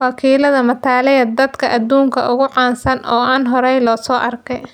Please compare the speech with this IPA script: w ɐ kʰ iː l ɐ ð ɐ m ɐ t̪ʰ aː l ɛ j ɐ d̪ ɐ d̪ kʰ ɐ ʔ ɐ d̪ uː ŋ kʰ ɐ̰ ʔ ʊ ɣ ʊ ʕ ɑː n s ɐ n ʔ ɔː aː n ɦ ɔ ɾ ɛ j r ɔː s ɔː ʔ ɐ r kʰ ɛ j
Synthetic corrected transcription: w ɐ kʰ iː l ɐ ð ɐ m ɐ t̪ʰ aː l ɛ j ɐ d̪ ɐ d̪ kʰ ɐ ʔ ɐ d̪ uː ŋ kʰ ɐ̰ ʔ ʊ ɣ ʊ ʕ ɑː n s ɐ n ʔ ɔː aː n ɦ ɔ ɾ ɛ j l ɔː s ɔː ʔ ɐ r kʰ ɛ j